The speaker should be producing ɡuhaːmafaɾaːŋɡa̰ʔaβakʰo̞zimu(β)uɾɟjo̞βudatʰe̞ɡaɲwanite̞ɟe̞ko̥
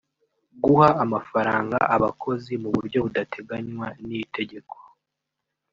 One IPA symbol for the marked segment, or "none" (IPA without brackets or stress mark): β